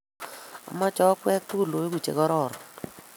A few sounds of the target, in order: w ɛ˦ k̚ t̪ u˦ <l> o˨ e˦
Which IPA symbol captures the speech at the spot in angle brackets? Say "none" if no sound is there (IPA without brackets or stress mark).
l